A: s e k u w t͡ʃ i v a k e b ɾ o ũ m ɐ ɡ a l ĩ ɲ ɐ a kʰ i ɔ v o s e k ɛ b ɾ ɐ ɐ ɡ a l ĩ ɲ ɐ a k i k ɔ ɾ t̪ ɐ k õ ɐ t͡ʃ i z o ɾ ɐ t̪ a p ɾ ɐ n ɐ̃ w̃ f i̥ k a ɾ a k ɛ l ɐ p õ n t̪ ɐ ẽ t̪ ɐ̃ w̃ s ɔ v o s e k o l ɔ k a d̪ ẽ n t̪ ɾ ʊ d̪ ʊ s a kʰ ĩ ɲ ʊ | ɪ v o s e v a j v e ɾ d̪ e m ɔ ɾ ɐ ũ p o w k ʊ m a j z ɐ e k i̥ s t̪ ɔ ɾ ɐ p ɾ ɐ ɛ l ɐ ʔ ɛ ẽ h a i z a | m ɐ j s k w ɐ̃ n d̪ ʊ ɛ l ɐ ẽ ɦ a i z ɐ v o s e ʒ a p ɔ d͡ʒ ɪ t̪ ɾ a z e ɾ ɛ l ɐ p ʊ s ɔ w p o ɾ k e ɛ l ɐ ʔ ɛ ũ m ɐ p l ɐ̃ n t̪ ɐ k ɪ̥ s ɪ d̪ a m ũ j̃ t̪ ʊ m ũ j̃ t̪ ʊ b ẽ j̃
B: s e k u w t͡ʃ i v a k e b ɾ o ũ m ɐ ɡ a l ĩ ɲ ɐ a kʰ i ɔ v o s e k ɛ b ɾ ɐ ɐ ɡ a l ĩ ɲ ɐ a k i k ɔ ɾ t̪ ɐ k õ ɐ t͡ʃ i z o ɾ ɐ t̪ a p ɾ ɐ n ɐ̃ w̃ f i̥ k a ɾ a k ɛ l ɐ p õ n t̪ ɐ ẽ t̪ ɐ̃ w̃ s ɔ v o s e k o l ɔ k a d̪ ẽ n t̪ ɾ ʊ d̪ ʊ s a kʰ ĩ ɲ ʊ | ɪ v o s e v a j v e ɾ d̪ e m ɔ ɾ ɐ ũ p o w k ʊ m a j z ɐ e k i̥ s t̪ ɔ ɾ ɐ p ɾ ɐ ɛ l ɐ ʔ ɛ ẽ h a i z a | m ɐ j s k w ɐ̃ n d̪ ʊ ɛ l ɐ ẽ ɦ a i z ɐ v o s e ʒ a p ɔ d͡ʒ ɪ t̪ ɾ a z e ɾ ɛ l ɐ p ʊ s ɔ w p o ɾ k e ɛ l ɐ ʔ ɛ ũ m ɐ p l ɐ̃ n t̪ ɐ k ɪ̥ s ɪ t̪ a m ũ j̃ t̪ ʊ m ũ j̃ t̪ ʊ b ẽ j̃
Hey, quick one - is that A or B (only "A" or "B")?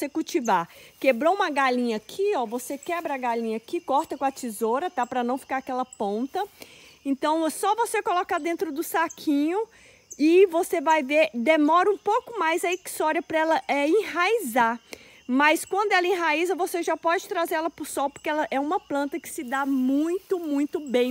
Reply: A